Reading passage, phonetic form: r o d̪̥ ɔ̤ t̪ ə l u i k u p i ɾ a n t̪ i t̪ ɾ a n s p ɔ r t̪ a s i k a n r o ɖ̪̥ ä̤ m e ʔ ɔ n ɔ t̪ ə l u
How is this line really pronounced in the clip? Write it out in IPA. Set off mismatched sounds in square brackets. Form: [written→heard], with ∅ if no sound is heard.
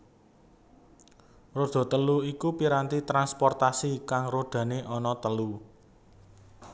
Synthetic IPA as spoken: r o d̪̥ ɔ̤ t̪ ə l u i k u p i ɾ a n t̪ i t̪ ɾ a n s p ɔ r t̪ a s i k a [n→ŋ] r o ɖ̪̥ ä̤ [m→n] e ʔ ɔ n ɔ t̪ ə l u